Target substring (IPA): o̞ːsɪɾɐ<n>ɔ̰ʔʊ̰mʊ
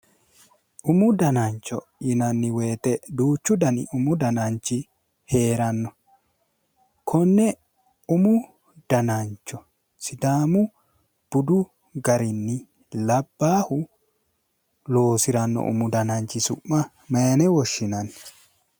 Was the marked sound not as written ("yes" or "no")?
yes